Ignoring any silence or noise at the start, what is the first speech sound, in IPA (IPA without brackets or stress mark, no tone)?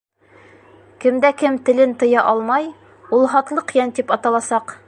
k